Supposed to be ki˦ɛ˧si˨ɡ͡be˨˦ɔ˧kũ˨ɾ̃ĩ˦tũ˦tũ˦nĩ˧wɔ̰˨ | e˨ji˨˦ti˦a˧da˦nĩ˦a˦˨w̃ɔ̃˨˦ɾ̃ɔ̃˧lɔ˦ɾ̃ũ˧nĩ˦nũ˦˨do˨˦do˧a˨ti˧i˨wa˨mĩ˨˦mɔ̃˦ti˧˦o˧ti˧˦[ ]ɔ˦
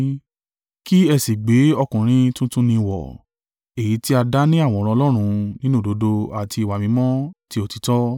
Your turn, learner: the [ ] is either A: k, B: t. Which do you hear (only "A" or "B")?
B